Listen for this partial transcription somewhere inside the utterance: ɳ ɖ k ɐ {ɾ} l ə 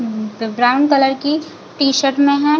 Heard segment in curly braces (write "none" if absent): none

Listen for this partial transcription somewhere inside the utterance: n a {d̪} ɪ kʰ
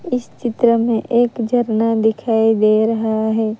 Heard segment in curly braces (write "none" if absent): d̪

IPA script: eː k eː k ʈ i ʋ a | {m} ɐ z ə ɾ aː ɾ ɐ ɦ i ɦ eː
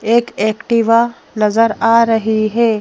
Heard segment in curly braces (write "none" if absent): n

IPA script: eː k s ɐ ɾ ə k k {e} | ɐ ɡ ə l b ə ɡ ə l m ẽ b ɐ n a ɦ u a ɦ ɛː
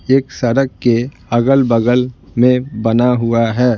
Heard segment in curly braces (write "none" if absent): e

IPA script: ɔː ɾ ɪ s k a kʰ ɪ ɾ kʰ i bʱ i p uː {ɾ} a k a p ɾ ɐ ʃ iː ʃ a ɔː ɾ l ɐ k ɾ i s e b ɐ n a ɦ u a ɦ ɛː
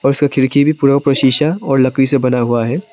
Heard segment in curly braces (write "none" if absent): ɾ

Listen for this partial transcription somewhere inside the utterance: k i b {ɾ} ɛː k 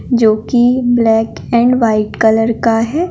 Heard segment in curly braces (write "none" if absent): l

